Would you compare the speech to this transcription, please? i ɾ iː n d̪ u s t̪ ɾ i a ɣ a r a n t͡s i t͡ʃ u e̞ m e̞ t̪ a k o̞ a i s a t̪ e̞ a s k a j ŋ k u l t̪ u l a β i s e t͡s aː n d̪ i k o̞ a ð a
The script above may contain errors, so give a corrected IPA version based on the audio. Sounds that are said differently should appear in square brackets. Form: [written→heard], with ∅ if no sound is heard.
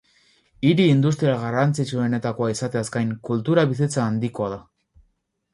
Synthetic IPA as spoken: i ɾ iː n d̪ u s t̪ ɾ i a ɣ a r a n t͡s i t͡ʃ u e̞ [m→n] e̞ t̪ a k o̞ a i s a t̪ e̞ a s k a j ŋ k u l t̪ u [l→ɾ] a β i s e t͡s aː n d̪ i k o̞ a ð a